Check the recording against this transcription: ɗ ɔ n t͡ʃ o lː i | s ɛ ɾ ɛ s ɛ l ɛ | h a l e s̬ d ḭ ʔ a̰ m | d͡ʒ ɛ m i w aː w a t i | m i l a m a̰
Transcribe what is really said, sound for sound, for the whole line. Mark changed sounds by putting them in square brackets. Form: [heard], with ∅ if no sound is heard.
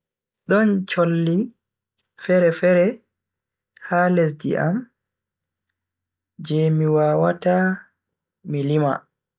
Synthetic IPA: ɗ ɔ n t͡ʃ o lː i | [f] ɛ ɾ ɛ [f] ɛ [ɾ] ɛ | h a l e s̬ d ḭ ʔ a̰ m | d͡ʒ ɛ m i w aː w a t [a] | m i l [i] m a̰